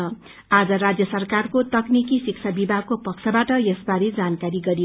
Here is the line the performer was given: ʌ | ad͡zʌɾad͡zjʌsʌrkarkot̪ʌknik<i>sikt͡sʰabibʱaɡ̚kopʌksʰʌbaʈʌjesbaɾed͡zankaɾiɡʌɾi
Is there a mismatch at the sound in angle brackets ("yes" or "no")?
no